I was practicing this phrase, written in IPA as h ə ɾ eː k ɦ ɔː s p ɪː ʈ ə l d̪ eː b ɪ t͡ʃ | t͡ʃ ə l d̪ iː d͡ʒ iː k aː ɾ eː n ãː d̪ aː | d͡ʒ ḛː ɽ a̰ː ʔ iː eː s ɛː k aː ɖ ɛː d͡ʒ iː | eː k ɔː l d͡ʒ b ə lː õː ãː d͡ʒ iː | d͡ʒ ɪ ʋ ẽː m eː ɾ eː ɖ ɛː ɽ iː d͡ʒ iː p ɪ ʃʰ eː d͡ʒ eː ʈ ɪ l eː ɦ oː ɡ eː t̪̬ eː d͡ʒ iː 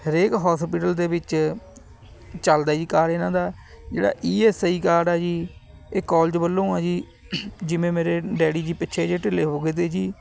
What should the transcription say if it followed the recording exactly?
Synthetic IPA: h ə ɾ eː k ɦ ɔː s p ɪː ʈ ə l d̪ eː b ɪ t͡ʃ | t͡ʃ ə l d̪ aː d͡ʒ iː k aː ɾ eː n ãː d̪ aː | d͡ʒ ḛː ɽ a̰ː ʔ iː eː s iː k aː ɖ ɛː d͡ʒ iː | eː k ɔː l d͡ʒ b ə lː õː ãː d͡ʒ iː | d͡ʒ ɪ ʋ ẽː m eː ɾ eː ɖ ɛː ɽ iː d͡ʒ iː p ɪ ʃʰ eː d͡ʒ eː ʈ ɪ l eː ɦ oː ɡ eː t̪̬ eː d͡ʒ iː

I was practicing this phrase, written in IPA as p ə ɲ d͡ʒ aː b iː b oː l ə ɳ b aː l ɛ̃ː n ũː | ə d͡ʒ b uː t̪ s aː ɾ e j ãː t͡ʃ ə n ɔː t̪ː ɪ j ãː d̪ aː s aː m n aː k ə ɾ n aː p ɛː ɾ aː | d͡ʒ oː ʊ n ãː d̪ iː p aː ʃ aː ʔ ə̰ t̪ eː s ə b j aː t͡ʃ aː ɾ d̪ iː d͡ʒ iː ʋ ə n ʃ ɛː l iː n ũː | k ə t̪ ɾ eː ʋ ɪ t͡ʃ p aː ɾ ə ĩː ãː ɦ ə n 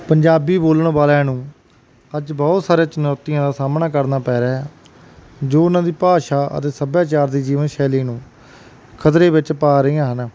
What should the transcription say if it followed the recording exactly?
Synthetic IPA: p ə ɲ d͡ʒ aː b iː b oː l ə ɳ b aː l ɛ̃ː n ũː | ə d͡ʒ b ɔː t̪ s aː ɾ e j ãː t͡ʃ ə n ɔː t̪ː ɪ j ãː d̪ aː s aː m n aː k ə ɾ n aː p ɛː ɾ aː | d͡ʒ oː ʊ n ãː d̪ iː p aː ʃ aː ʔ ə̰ t̪ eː s ə b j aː t͡ʃ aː ɾ d̪ iː d͡ʒ iː ʋ ə n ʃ ɛː l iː n ũː | kʰ ə t̪ ɾ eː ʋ ɪ t͡ʃ p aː ɾ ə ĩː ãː ɦ ə n

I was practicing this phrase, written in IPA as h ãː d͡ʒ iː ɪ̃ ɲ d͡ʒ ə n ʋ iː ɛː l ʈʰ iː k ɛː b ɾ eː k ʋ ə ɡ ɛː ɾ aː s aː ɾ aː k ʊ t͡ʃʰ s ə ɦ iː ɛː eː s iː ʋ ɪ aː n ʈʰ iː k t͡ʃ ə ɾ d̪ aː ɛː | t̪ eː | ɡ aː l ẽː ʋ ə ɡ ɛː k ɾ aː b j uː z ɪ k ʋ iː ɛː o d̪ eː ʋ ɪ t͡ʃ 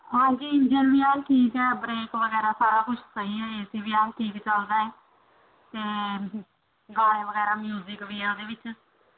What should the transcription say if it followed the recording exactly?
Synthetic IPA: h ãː d͡ʒ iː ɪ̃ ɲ d͡ʒ ə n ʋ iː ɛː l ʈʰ iː k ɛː b ɾ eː k ʋ ə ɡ ɛː ɾ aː s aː ɾ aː k ʊ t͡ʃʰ s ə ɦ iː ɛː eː s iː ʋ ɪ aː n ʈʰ iː k t͡ʃ ə l d̪ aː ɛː | t̪ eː | ɡ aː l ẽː ʋ ə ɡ ɛː ɾ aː m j uː z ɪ k ʋ iː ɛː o d̪ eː ʋ ɪ t͡ʃ

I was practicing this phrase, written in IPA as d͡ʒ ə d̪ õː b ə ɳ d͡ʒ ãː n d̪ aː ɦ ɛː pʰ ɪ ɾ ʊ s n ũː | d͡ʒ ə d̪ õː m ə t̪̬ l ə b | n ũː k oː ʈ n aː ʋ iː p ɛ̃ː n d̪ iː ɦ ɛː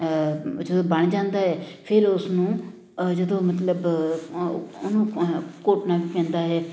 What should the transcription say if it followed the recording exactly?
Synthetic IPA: d͡ʒ ə d̪ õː b ə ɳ d͡ʒ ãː n d̪ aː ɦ ɛː pʰ ɪ ɾ ʊ s n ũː | d͡ʒ ə d̪ õː m ə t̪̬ l ə b | n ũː k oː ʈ n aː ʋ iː p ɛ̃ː n d̪ aː ɦ ɛː

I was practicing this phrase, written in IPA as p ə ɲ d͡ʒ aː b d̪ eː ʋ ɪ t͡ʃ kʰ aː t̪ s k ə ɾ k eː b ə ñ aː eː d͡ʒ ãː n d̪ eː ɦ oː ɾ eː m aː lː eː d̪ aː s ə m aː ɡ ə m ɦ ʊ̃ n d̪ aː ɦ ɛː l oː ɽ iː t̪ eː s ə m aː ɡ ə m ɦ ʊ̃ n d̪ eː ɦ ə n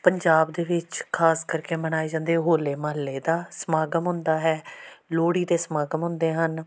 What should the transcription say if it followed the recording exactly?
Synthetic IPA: p ə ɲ d͡ʒ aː b d̪ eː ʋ ɪ t͡ʃ kʰ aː s k ə ɾ k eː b ə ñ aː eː d͡ʒ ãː n d̪ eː ɦ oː l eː m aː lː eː d̪ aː s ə m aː ɡ ə m ɦ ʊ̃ n d̪ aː ɦ ɛː l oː ɽ iː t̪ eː s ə m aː ɡ ə m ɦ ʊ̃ n d̪ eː ɦ ə n

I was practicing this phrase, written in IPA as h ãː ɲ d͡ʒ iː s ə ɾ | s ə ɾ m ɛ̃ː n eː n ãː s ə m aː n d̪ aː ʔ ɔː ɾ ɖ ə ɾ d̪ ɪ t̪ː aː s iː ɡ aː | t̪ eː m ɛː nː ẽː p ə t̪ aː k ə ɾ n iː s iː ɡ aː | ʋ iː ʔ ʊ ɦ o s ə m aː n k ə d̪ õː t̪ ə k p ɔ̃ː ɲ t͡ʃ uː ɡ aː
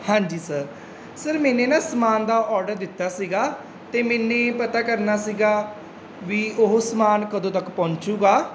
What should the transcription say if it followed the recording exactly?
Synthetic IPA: h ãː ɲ d͡ʒ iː s ə ɾ | s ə ɾ m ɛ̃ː n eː n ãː s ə m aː n d̪ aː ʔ ɔː ɾ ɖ ə ɾ d̪ ɪ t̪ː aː s iː ɡ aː | t̪ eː m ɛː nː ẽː p ə t̪ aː k ə ɾ n aː s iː ɡ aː | ʋ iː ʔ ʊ ɦ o s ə m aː n k ə d̪ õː t̪ ə k p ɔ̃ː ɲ t͡ʃ uː ɡ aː

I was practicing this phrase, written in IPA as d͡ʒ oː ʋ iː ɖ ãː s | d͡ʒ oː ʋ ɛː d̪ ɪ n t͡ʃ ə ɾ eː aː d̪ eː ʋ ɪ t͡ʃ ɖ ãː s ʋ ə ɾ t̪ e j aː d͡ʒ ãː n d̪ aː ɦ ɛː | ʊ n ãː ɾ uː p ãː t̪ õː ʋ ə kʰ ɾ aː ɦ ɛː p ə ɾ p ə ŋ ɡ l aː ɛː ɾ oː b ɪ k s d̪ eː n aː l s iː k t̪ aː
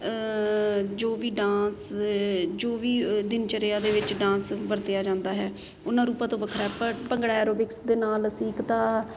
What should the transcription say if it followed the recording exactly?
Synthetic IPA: d͡ʒ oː ʋ iː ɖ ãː s | d͡ʒ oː ʋ iː d̪ ɪ n t͡ʃ ə ɾ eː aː d̪ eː ʋ ɪ t͡ʃ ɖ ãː s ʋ ə ɾ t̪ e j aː d͡ʒ ãː n d̪ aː ɦ ɛː | ʊ n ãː ɾ uː p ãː t̪ õː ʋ ə kʰ ɾ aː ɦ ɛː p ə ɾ p ə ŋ ɡ ɽ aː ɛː ɾ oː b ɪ k s d̪ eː n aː l s iː k t̪ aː

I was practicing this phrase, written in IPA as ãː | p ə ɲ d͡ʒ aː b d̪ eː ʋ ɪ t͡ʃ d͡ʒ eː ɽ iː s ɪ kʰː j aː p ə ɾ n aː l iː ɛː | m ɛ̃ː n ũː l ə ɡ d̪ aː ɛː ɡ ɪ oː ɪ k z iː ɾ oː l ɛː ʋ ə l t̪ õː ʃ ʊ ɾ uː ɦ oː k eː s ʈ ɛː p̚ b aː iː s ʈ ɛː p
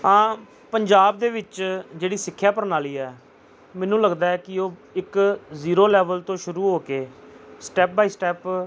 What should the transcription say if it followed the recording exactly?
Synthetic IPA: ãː | p ə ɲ d͡ʒ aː b d̪ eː ʋ ɪ t͡ʃ d͡ʒ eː ɽ iː s ɪ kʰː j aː p ə ɾ n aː l iː ɛː | m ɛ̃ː n ũː l ə ɡ d̪ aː ɛː k ɪ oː ɪ k z iː ɾ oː l ɛː ʋ ə l t̪ õː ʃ ʊ ɾ uː ɦ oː k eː s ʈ ɛː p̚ b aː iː s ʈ ɛː p

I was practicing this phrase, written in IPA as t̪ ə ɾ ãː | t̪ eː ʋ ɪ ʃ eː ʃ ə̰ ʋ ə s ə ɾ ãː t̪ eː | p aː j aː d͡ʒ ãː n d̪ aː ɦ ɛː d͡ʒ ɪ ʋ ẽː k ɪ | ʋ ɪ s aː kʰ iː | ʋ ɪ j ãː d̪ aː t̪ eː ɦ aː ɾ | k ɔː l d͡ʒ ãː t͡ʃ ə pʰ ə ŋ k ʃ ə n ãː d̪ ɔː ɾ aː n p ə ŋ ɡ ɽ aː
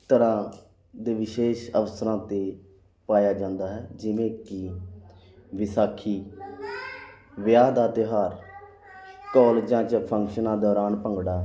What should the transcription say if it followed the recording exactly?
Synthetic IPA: t̪ ə ɾ ãː | d̪ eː ʋ ɪ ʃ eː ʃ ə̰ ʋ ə s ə ɾ ãː t̪ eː | p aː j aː d͡ʒ ãː n d̪ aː ɦ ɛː d͡ʒ ɪ ʋ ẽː k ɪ | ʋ ɪ s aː kʰ iː | ʋ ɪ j aː d̪ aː t̪ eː ɦ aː ɾ | k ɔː l d͡ʒ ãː t͡ʃ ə pʰ ə ŋ k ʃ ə n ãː d̪ ɔː ɾ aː n p ə ŋ ɡ ɽ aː

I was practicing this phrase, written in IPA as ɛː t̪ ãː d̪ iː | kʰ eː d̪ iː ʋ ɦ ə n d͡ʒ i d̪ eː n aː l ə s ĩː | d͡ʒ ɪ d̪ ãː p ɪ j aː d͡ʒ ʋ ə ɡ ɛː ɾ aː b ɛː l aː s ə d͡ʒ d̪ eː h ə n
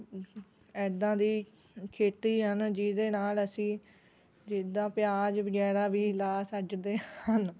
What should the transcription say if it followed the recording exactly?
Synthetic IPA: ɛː d̪ ãː d̪ iː | kʰ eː t̪ iː ɦ ə n d͡ʒ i d̪ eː n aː l ə s ĩː | d͡ʒ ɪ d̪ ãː p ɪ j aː d͡ʒ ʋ ə ɡ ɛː ɾ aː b iː l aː s ə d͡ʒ d̪ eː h ə n

